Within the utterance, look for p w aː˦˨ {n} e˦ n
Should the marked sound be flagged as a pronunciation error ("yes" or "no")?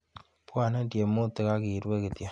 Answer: no